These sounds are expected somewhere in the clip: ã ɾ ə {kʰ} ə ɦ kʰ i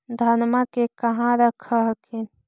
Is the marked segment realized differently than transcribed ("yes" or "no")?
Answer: no